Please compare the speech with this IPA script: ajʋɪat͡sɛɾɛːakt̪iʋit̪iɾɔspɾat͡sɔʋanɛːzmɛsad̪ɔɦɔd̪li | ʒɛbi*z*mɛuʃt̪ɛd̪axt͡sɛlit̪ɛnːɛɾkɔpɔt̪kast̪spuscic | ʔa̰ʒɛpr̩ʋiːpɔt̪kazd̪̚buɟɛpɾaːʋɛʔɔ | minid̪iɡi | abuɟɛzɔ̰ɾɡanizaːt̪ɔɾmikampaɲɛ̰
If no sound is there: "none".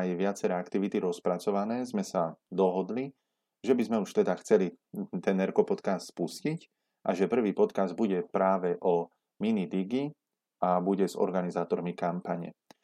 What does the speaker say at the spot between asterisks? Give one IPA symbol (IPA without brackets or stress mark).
z